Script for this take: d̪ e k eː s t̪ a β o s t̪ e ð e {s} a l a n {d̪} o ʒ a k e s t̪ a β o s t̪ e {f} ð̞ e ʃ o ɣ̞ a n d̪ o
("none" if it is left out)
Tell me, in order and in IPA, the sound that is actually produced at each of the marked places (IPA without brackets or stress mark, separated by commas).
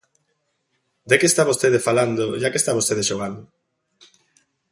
f, d̪, none